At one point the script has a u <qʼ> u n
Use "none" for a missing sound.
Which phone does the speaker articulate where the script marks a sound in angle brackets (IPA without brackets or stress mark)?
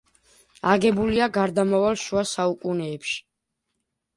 kʼ